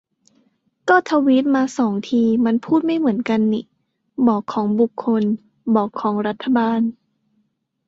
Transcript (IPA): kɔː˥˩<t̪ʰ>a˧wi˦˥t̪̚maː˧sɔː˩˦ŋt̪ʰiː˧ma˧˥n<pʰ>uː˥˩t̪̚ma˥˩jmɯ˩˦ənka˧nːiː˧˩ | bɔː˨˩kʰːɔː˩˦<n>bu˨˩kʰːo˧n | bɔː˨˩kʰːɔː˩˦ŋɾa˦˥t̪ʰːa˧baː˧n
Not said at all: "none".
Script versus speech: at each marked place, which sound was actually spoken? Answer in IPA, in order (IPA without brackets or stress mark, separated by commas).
t̪ʰ, pʰ, ŋ